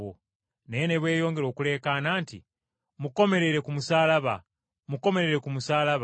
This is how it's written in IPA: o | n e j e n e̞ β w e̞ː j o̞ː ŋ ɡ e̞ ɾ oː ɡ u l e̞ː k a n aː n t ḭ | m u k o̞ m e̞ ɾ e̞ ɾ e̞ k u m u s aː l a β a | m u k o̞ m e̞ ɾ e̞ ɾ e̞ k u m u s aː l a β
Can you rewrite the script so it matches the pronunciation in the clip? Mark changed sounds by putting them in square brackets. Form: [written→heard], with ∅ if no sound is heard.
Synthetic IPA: o | n e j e n e̞ β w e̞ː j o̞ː ŋ ɡ e̞ ɾ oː [ɡ→k] u l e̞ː k a n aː n t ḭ | m u k o̞ m e̞ ɾ e̞ ɾ e̞ k u m u s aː l a β a | m u k o̞ m e̞ ɾ e̞ ɾ e̞ k u m u s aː l a β

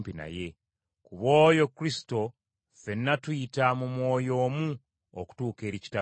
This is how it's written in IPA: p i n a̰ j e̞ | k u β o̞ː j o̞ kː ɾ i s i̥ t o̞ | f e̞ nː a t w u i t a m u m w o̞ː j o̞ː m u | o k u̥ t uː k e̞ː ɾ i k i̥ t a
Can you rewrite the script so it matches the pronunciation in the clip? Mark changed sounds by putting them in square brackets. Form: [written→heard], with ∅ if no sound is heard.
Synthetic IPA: p i n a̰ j e̞ | k u β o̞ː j o̞ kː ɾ i s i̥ t o̞ | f e̞ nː a t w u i t a m u m w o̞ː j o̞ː m u | o k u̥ t uː k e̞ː ɾ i [k→c] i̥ t a

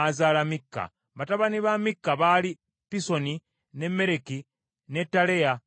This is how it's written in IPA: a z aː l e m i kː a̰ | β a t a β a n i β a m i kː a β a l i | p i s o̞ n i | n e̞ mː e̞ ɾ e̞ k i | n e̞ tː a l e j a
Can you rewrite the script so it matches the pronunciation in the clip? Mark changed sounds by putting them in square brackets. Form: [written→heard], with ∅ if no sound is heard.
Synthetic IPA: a z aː l [e→a] m i kː a̰ | β a t a β a n i β a m i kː a β a l i | p i s o̞ n i | n e̞ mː e̞ ɾ e̞ k i | n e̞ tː a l e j a

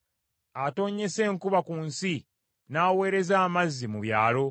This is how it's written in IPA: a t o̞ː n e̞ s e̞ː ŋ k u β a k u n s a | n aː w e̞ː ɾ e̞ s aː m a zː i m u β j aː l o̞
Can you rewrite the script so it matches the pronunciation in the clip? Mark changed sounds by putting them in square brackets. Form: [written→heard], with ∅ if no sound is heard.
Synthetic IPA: a t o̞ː [n→ɲ] e̞ s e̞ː ŋ k u β a k u n s [a→i] | n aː w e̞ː ɾ e̞ [s→z] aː m a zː i m u β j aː l o̞

